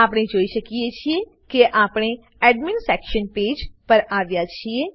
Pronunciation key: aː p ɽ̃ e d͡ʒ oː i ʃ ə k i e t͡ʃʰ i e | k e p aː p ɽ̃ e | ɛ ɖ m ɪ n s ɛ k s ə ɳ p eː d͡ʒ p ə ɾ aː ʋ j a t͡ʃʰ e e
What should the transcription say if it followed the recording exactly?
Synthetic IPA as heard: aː p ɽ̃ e d͡ʒ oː i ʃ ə k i e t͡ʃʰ i e | k e ʔ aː p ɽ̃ e | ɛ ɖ m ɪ n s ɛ k ʃ ə n p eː d͡ʒ p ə ɾ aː ʋ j a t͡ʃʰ i e